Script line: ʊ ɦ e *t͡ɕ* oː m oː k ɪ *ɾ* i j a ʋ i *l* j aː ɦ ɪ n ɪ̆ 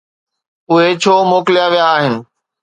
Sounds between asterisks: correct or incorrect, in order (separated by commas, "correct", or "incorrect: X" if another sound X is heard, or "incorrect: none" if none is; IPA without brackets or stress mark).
incorrect: t͡ɕʰ, incorrect: l, incorrect: none